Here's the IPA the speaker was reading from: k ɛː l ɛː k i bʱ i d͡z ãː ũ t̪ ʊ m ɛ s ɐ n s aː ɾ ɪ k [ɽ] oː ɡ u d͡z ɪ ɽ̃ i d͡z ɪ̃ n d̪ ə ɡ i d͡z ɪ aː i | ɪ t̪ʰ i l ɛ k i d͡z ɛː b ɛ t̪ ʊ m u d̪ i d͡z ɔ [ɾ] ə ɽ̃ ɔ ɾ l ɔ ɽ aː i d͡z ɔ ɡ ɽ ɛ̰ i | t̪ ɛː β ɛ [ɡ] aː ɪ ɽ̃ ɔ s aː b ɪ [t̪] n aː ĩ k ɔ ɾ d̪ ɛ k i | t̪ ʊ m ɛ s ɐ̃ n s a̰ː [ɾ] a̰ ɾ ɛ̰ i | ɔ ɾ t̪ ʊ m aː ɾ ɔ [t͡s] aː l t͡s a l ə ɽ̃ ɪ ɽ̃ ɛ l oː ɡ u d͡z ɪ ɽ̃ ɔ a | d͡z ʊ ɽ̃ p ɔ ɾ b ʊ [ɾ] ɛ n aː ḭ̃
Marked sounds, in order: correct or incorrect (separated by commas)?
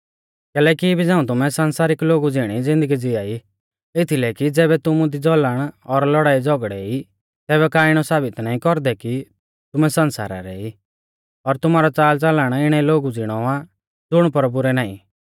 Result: incorrect, incorrect, incorrect, correct, correct, correct, correct